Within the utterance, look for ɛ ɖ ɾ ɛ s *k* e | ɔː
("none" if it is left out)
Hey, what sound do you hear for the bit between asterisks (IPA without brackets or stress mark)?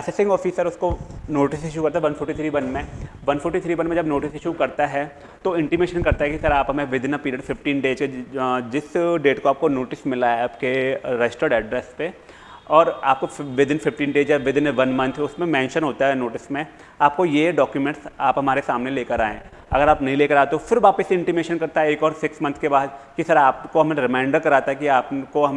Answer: p